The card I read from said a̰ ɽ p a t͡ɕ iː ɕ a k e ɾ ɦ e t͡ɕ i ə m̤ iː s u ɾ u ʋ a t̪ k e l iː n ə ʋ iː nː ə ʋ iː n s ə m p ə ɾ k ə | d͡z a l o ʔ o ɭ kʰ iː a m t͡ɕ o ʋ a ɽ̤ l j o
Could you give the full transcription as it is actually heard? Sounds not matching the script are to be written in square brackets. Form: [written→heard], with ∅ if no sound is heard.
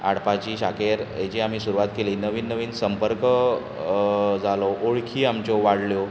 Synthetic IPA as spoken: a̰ ɽ p a t͡ɕ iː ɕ a k e ɾ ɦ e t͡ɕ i [ə→a] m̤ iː s u ɾ u ʋ a t̪ k e l iː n ə ʋ iː nː ə ʋ iː n s ə m p ə ɾ k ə | d͡z a l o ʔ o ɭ kʰ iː a m t͡ɕ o ʋ a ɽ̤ l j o